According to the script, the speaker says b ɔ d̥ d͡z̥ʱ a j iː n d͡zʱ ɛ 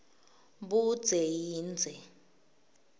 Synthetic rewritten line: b u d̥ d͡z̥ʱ e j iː n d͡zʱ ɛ